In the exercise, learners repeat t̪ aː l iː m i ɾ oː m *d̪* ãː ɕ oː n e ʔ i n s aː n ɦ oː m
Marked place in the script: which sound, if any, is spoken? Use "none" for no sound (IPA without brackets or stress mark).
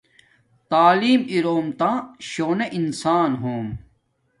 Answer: t̪